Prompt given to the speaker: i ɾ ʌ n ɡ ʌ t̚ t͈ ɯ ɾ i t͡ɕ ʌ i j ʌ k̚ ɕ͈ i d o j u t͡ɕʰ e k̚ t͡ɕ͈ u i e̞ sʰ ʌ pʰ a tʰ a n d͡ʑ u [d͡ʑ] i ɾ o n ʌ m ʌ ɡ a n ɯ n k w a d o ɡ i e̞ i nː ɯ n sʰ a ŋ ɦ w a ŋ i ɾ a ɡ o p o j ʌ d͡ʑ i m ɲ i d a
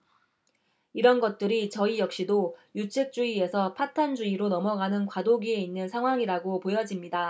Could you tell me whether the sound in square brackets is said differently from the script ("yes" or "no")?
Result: yes